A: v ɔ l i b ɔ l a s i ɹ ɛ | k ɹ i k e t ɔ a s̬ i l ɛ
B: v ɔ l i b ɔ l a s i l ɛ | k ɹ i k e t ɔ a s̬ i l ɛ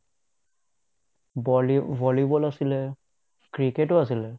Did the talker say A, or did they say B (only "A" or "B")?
B